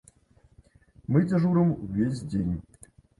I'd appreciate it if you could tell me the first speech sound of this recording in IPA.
m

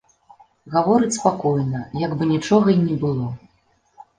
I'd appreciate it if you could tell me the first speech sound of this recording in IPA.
ɣ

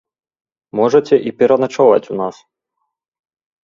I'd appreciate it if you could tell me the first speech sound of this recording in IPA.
m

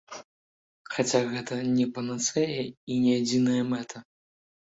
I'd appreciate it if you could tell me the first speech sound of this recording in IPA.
x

